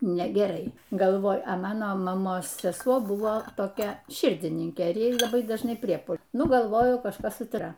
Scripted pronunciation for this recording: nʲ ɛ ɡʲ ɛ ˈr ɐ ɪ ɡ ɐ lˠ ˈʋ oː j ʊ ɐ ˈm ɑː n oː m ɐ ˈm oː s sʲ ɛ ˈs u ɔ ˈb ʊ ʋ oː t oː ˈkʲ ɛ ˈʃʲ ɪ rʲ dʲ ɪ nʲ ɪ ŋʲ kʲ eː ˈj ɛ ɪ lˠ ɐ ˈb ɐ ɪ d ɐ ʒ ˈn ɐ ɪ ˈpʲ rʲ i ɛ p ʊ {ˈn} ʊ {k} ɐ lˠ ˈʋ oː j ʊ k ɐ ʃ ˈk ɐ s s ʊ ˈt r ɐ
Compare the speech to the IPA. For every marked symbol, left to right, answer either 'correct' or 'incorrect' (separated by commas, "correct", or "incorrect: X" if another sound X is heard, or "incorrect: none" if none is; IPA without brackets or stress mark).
correct, incorrect: ɡ